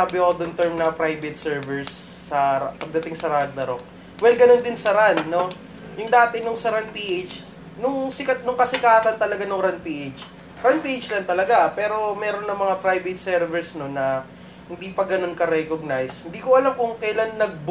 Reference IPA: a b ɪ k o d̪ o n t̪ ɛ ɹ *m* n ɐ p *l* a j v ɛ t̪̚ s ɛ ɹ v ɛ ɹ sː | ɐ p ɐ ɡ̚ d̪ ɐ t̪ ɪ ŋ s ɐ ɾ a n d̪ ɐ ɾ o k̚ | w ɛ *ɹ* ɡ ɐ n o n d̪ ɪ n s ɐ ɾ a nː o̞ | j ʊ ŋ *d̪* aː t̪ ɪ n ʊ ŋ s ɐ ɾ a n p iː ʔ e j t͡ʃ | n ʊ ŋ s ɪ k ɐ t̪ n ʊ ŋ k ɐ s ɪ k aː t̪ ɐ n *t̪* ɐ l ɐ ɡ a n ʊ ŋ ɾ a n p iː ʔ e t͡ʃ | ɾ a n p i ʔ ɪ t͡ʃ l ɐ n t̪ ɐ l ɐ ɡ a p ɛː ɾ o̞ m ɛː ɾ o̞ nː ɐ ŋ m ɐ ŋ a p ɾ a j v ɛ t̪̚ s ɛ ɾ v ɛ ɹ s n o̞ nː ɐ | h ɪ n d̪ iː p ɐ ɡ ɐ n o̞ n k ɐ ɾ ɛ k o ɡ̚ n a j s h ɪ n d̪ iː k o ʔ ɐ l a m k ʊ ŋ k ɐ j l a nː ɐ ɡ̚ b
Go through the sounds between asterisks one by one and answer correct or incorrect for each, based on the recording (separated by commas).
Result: correct, incorrect, incorrect, correct, correct